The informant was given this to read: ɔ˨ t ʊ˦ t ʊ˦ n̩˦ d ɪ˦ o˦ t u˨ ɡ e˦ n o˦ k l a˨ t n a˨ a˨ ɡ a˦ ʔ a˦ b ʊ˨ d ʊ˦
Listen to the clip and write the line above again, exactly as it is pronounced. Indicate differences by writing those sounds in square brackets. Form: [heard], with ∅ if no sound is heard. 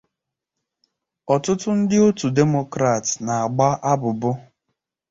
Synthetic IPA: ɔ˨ t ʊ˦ t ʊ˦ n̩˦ d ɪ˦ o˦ t u˨ [d] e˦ [m] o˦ k [ɾ] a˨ t n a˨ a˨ [ɡ͡b] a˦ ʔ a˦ b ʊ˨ [b] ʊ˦